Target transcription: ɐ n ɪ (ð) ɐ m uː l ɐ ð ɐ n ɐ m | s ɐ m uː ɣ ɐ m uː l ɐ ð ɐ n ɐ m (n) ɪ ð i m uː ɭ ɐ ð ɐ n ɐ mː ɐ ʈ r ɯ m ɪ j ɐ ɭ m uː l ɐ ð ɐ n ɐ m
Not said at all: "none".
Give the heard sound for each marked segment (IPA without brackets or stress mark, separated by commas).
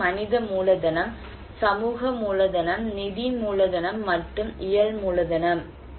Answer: ð, n